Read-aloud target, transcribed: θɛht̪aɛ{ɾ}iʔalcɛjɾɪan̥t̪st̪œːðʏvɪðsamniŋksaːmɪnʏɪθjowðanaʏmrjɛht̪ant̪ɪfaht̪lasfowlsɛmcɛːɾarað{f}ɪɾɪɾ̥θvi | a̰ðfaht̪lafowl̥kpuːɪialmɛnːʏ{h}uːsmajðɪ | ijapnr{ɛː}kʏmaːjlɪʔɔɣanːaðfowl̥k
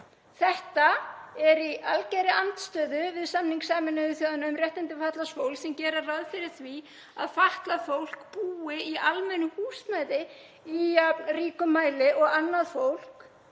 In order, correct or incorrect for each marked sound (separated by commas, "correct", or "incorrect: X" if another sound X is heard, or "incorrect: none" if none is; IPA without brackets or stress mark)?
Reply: correct, correct, correct, incorrect: iː